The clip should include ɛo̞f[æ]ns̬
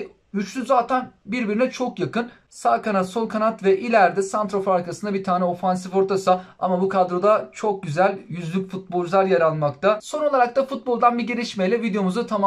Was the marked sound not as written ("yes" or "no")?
yes